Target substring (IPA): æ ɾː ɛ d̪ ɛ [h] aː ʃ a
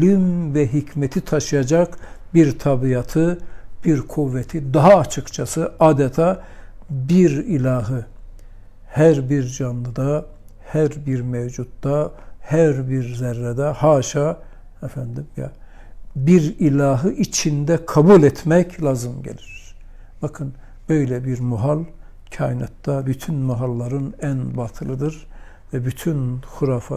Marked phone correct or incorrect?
correct